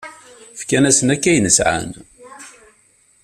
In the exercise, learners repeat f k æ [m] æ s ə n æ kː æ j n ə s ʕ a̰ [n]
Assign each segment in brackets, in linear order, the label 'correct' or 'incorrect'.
incorrect, correct

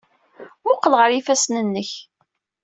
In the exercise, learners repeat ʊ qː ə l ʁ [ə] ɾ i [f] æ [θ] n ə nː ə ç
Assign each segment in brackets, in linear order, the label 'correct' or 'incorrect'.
correct, correct, incorrect

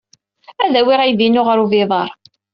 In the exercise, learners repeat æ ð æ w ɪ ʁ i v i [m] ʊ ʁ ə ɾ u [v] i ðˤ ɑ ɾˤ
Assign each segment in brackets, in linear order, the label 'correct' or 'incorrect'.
incorrect, correct

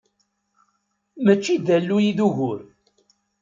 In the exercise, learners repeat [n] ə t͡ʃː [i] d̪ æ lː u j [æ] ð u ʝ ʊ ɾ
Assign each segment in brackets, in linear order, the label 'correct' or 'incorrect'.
incorrect, correct, incorrect

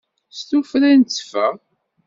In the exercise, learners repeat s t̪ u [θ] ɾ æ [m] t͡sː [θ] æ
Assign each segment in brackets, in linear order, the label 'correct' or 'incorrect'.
incorrect, incorrect, incorrect

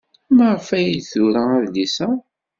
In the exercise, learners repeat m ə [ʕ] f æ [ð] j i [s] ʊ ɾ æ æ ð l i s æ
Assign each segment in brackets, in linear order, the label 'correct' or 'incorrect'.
incorrect, incorrect, incorrect

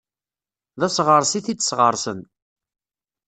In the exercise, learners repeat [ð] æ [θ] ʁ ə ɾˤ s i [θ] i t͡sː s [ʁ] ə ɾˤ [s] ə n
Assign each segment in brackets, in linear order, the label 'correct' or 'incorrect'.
correct, incorrect, correct, correct, correct

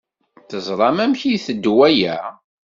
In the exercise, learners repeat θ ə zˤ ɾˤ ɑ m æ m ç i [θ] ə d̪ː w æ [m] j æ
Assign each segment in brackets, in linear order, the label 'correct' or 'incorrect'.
correct, incorrect

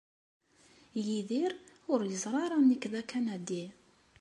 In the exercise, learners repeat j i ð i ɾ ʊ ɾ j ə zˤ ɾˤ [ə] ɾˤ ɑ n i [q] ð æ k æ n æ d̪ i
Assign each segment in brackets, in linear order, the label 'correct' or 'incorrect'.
incorrect, incorrect

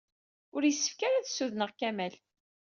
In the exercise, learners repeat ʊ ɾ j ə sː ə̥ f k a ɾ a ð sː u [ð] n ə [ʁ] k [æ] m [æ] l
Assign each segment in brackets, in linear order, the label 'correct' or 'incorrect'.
correct, correct, correct, correct

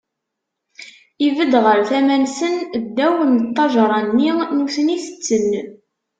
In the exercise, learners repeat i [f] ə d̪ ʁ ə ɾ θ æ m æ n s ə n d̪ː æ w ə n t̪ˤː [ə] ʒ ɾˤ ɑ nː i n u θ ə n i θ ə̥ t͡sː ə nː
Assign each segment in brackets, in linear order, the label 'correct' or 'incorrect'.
incorrect, incorrect

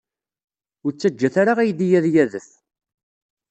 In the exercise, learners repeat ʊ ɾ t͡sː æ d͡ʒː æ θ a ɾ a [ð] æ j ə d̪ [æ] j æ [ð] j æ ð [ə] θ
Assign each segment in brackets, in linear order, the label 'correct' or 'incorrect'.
incorrect, incorrect, correct, correct

